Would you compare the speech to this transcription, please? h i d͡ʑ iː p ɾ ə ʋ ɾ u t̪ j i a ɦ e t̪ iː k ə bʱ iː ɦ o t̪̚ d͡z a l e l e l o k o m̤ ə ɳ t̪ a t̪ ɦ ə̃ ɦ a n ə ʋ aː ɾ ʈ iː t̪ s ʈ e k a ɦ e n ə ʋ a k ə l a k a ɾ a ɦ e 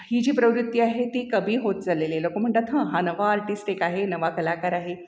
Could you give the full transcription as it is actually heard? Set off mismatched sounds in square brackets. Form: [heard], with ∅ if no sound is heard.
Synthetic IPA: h i d͡ʑ iː p ɾ ə ʋ ɾ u t̪ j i a ɦ e t̪ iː k ə bʱ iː ɦ o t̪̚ d͡z a l e l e l o k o m̤ ə ɳ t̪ a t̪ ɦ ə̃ ɦ a n ə ʋ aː ɾ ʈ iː [∅] s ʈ e k a ɦ e n ə ʋ a k ə l a k a ɾ a ɦ e